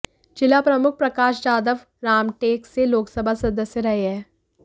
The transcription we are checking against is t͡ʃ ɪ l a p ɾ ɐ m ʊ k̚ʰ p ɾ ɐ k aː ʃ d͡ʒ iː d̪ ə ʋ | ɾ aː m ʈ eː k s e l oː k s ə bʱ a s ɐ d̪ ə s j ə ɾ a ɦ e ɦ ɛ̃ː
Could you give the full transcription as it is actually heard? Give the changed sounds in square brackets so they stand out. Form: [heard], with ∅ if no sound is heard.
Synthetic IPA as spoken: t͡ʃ ɪ l a p ɾ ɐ m ʊ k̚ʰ p ɾ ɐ k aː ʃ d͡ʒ [aː] d̪ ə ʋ | ɾ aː m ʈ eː k s e l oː k s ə bʱ a s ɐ d̪ ə s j ə ɾ [ɐ] ɦ e ɦ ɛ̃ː